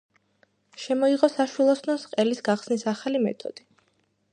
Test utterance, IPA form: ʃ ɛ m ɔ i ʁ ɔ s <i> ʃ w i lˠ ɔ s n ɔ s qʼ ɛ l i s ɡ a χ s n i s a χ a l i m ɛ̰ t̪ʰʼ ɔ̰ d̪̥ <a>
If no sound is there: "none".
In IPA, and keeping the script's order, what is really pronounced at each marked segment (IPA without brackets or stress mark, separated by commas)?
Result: a, i